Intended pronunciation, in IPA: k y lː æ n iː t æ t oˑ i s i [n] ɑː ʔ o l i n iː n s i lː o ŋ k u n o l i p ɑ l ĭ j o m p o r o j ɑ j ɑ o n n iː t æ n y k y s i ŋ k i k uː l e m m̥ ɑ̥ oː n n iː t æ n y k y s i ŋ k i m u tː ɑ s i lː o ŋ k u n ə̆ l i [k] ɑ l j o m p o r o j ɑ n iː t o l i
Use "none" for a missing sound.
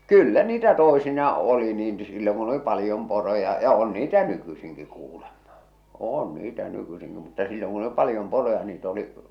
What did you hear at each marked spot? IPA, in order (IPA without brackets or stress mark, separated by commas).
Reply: n, p